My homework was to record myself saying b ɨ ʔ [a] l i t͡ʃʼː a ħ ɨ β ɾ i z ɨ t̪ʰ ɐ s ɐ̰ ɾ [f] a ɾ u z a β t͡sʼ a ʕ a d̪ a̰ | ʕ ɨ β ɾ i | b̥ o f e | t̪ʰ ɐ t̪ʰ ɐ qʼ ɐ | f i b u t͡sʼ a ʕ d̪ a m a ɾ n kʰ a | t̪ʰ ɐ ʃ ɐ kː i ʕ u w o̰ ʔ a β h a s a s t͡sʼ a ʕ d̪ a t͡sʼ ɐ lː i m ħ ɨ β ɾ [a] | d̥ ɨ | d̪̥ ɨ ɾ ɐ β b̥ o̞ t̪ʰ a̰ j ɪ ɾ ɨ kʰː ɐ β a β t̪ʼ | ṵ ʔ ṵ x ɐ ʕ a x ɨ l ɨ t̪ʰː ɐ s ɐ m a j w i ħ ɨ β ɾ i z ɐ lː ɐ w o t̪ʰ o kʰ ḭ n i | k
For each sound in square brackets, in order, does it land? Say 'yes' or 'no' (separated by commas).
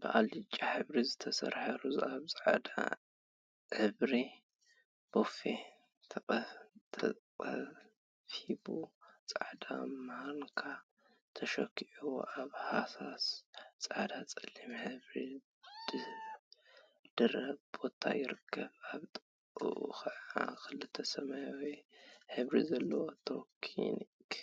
yes, no, no